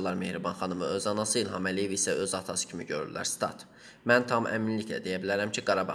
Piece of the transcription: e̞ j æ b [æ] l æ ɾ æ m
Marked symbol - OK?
no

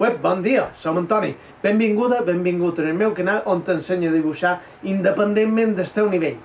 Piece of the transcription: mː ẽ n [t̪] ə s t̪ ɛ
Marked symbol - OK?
no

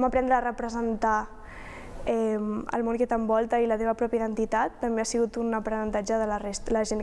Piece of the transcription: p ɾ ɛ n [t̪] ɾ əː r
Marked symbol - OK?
no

